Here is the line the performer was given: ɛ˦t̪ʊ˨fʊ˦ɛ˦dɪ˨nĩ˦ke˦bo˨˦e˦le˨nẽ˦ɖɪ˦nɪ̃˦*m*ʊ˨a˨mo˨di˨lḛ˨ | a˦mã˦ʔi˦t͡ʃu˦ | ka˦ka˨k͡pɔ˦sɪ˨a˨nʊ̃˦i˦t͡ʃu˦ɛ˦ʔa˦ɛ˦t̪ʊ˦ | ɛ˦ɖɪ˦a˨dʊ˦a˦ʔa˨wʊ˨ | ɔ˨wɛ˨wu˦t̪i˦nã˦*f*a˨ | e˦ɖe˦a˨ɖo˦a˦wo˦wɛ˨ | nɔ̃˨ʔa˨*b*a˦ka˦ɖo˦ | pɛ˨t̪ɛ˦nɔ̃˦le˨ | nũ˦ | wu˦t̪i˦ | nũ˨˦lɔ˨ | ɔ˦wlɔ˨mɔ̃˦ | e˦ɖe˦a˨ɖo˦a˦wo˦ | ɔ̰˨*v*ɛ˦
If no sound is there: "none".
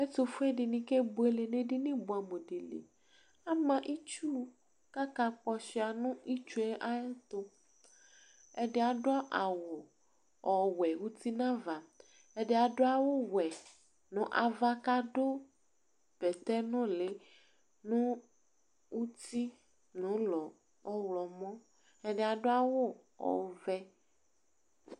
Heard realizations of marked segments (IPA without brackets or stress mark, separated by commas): b, v, v, v